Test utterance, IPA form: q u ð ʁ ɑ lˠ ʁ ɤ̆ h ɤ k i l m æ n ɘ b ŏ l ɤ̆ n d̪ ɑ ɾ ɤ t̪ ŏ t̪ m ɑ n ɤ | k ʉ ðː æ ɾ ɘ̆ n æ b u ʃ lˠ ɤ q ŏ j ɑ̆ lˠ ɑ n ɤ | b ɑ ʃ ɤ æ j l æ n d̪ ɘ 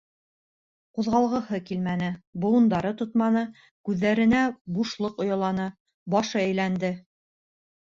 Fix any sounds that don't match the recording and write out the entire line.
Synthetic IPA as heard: q u ð ʁ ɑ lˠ ʁ ɤ̆ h ɤ k i l m æ n ɘ b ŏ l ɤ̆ n d̪ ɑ ɾ ɤ t̪ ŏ t̪ m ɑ n ɤ | k ʉ ðː æ ɾ ɘ̆ n æ b u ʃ lˠ ɤ q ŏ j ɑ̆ lˠ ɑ n ɤ | b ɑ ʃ ɤ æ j l æ n d̪ ɘ